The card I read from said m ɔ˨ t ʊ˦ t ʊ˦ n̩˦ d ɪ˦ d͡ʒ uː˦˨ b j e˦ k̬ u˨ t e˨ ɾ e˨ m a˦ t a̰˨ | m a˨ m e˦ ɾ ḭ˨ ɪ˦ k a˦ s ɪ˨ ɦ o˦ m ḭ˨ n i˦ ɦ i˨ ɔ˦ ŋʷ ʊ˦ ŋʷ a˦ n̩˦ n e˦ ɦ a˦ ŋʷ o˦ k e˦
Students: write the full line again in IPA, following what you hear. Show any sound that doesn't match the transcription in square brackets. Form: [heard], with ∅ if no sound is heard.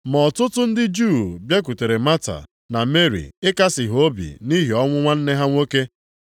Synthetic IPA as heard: m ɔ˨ t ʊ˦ t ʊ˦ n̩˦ d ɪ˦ d͡ʒ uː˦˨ b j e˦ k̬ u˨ t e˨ ɾ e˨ m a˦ t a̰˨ | [n] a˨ m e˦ ɾ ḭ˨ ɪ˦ k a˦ s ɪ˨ ɦ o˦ [b] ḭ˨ n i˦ ɦ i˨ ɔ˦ ŋʷ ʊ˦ ŋʷ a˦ n̩˦ n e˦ ɦ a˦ ŋʷ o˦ k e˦

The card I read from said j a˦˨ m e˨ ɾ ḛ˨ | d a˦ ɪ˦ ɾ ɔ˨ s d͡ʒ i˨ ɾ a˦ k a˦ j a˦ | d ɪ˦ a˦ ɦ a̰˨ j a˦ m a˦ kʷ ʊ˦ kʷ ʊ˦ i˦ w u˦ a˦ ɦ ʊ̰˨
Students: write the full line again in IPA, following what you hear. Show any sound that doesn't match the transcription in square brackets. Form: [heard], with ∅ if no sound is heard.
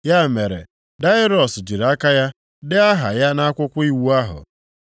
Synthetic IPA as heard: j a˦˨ m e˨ ɾ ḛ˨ | d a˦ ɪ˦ ɾ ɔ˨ s d͡ʒ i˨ ɾ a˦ k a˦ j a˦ | d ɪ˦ a˦ ɦ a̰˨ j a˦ [n] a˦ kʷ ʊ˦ kʷ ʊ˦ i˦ w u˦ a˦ ɦ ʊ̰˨

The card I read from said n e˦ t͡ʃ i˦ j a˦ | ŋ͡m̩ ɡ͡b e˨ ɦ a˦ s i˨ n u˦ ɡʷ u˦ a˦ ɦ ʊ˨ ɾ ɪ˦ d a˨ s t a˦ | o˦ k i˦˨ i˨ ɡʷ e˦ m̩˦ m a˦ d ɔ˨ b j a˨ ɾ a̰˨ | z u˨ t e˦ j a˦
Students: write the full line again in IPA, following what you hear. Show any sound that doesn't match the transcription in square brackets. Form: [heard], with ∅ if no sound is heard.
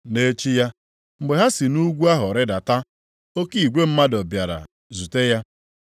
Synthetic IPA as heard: n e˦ t͡ʃ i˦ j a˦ | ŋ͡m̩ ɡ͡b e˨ ɦ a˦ s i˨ n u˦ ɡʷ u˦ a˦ ɦ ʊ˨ ɾ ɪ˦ d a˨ [∅] t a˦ | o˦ k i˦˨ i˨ ɡʷ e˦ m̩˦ m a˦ d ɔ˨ b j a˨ ɾ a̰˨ | z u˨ t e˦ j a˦

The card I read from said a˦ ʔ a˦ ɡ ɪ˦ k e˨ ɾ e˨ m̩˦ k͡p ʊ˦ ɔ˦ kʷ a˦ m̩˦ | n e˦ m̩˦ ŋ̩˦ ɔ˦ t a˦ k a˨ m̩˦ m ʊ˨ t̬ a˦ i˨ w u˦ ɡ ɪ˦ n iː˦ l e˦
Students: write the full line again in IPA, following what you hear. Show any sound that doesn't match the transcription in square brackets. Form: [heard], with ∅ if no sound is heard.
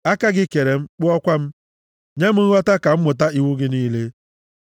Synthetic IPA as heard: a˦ [k] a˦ ɡ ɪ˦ k e˨ ɾ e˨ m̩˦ k͡p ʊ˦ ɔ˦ kʷ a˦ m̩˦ | [ɲ] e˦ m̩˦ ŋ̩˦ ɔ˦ t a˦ k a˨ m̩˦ m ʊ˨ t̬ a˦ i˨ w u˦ ɡ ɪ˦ n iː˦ l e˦

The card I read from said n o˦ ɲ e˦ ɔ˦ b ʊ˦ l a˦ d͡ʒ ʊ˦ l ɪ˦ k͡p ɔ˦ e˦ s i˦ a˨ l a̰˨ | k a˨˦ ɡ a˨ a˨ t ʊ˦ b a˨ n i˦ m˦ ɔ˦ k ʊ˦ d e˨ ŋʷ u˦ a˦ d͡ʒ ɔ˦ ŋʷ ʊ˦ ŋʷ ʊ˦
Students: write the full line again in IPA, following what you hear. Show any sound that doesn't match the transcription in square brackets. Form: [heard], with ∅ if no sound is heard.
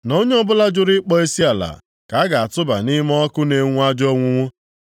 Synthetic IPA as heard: n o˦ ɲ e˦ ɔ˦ b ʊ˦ l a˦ d͡ʒ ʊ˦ [ɾ] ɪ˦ k͡p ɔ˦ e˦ s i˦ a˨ l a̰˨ | k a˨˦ ɡ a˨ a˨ t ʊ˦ b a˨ n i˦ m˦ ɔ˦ k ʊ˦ [n] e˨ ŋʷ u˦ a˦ d͡ʒ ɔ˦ ŋʷ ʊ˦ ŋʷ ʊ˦

